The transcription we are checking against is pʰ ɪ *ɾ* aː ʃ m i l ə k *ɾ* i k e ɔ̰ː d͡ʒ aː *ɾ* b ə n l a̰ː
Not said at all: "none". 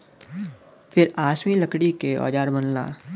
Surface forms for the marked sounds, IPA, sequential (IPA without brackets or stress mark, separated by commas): ɾ, ɽ, ɾ